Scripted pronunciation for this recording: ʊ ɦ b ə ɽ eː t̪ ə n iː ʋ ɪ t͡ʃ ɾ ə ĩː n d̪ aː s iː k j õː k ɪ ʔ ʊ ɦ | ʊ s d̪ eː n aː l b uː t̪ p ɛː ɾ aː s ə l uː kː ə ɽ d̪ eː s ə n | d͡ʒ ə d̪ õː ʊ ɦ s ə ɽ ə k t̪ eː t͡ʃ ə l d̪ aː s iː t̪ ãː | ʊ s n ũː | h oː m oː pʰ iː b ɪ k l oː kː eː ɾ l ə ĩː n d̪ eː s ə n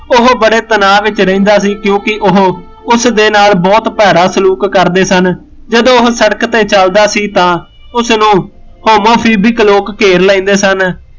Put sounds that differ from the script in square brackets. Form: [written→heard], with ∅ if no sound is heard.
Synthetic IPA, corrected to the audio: ʊ ɦ b ə ɽ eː t̪ ə n [iː→aː] ʋ ɪ t͡ʃ ɾ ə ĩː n d̪ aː s iː k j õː k ɪ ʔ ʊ ɦ | ʊ s d̪ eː n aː l b [uː→ɔː] t̪ p ɛː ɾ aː s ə l uː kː ə [ɽ→ɾ] d̪ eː s ə n | d͡ʒ ə d̪ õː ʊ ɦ s ə ɽ ə k t̪ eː t͡ʃ ə l d̪ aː s iː t̪ ãː | ʊ s n ũː | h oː m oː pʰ iː b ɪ k l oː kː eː ɾ l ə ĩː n d̪ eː s ə n